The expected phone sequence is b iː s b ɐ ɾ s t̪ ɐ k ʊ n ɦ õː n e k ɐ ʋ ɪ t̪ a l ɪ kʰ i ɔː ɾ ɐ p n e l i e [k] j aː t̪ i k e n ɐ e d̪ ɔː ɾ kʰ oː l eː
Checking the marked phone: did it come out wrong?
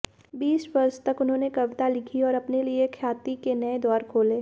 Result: yes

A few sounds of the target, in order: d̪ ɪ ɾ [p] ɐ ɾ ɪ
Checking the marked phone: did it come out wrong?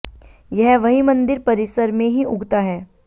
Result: no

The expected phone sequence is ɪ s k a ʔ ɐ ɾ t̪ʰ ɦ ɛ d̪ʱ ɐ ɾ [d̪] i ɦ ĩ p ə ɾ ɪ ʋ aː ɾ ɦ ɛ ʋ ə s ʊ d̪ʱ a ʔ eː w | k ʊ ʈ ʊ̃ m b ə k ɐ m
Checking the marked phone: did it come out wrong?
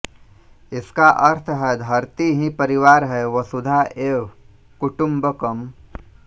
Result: yes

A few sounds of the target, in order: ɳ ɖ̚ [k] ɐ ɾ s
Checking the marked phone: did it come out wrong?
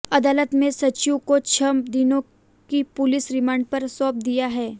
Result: yes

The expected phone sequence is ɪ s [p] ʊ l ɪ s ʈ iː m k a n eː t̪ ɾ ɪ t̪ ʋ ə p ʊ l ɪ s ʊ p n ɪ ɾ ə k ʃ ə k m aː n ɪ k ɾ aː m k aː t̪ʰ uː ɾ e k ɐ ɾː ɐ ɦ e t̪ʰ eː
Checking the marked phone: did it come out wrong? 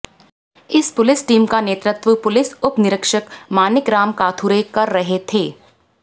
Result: no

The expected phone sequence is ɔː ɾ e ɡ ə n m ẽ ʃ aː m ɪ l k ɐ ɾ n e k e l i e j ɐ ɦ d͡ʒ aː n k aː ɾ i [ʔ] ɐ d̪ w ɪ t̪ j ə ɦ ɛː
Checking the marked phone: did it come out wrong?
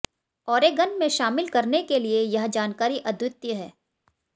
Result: no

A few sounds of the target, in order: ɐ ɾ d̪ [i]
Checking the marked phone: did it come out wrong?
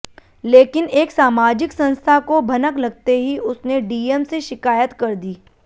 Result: yes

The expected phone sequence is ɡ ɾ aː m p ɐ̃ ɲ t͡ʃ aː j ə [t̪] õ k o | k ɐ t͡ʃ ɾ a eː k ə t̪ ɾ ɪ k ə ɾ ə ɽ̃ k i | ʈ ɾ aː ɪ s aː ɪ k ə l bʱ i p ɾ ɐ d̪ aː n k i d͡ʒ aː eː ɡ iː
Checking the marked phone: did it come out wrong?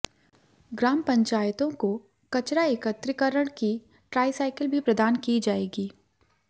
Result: no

